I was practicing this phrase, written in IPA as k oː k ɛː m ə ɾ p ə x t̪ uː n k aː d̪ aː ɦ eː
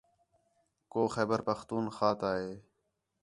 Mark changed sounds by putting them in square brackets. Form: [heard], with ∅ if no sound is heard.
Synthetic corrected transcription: k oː [x] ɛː [b] ə ɾ p ə x t̪ uː n [x] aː [t̪] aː ɦ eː